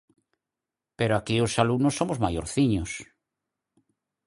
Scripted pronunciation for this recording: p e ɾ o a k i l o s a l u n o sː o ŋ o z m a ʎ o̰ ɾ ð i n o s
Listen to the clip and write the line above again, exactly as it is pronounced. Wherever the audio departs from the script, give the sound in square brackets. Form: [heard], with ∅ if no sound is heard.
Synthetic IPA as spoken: p e ɾ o a k i [∅] o s a l u n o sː o [m] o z m a [j] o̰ ɾ [θ] i [ɲ] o s